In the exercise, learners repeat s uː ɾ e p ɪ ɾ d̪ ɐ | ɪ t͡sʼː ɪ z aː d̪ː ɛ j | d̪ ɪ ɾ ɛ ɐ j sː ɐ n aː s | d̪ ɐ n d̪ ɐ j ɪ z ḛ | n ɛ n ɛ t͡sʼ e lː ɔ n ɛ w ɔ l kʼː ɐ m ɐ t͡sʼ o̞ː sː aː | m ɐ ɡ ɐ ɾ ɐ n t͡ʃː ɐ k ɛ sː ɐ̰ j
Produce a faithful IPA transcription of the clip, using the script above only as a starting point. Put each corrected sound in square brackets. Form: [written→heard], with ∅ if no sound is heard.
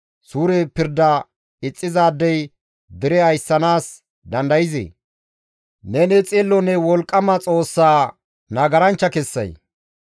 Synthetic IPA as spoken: s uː ɾ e p ɪ ɾ d̪ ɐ | ɪ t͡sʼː ɪ z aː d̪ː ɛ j | d̪ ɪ ɾ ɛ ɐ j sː ɐ n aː s | d̪ ɐ n d̪ ɐ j ɪ z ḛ | n ɛ n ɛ t͡sʼ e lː ɔ n ɛ w ɔ l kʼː ɐ m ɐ t͡sʼ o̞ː sː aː | [m→n] ɐ ɡ ɐ ɾ ɐ n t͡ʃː ɐ k ɛ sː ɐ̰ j

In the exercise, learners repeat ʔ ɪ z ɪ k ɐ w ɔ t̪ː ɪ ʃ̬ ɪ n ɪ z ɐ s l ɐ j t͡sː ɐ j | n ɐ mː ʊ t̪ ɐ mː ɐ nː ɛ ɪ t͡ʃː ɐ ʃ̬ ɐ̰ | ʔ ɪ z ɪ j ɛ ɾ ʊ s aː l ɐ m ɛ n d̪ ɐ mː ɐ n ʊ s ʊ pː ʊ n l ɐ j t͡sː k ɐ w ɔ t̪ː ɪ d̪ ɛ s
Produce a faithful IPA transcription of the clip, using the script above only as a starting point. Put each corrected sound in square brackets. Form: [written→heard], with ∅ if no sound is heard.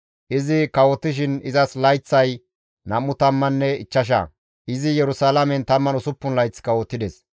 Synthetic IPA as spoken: ʔ ɪ z ɪ k ɐ w ɔ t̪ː ɪ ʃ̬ ɪ n ɪ z ɐ s l ɐ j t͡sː ɐ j | n ɐ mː ʊ t̪ ɐ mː ɐ nː ɛ ɪ t͡ʃː ɐ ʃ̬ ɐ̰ | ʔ ɪ z ɪ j ɛ ɾ ʊ s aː l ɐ m ɛ n [d̪→t̪] ɐ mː ɐ n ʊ s ʊ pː ʊ n l ɐ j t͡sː k ɐ w ɔ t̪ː ɪ d̪ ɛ s

